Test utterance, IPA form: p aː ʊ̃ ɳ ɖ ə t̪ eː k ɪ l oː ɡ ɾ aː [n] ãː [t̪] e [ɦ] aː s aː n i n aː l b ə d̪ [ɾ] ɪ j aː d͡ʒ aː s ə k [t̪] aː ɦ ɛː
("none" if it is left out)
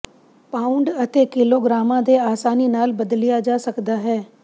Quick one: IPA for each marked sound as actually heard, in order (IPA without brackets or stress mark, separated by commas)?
m, d̪, none, l, d̪